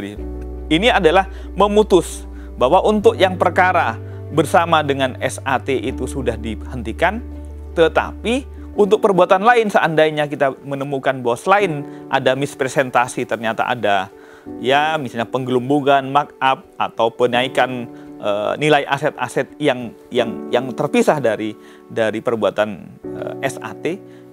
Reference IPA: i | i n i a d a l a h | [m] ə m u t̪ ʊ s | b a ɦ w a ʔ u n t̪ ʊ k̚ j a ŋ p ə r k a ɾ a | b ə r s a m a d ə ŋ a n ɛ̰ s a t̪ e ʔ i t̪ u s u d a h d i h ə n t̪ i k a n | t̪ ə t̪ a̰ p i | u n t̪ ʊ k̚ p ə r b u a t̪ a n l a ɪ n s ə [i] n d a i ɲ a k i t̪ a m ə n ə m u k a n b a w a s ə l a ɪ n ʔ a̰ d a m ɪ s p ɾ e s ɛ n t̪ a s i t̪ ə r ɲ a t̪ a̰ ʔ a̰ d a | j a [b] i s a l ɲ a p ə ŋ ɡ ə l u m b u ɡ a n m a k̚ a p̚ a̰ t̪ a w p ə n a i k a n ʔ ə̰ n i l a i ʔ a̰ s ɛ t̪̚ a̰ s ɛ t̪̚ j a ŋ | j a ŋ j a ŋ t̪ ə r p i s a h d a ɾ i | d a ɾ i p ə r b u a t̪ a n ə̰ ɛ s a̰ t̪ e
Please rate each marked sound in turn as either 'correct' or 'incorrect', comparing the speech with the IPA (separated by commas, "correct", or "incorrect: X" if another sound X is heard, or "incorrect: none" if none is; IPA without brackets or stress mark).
correct, incorrect: a, incorrect: m